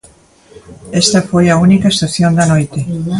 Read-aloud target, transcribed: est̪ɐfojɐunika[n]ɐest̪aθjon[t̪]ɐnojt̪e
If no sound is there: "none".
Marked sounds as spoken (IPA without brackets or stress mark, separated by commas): none, d̪